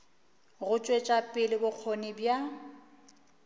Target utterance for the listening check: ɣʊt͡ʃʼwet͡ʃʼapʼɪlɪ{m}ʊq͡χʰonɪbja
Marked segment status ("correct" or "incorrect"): incorrect